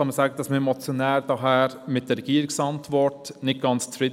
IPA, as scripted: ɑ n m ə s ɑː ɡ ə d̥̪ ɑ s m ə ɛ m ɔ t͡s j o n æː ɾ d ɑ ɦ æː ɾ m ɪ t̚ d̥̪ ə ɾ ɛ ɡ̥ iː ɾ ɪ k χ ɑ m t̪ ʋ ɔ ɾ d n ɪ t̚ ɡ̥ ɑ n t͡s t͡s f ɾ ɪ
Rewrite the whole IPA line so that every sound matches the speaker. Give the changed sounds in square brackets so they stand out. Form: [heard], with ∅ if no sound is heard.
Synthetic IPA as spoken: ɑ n m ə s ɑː ɡ ə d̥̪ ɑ s m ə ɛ m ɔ t͡s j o n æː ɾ d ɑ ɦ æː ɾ m ɪ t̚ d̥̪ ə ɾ ɛ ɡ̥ iː ɾ ɪ k [s] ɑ [n] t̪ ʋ ɔ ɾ [t] n ɪ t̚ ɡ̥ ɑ n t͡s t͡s f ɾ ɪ